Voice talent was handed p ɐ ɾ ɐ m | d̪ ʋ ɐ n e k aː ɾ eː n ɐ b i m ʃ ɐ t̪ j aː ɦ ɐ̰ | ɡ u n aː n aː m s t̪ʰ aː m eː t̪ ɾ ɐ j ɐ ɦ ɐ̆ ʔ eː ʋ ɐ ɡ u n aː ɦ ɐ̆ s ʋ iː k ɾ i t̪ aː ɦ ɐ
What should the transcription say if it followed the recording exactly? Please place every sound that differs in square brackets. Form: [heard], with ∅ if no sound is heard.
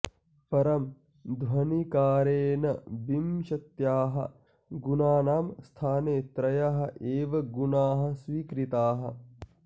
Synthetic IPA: p ɐ ɾ ɐ m | d̪ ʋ ɐ n [i] k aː ɾ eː n ɐ b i m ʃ ɐ t̪ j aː ɦ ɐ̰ | ɡ u n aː n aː m s t̪ʰ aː [n] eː t̪ ɾ ɐ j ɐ ɦ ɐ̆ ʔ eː ʋ ɐ ɡ u n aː ɦ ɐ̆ s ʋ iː k ɾ i t̪ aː ɦ ɐ